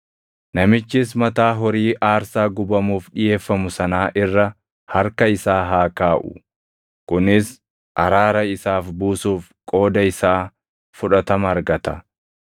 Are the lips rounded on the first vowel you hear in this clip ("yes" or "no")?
no